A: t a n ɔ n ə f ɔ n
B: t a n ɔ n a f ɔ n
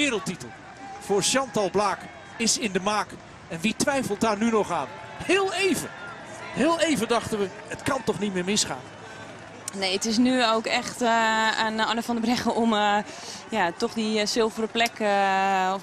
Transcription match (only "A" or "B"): A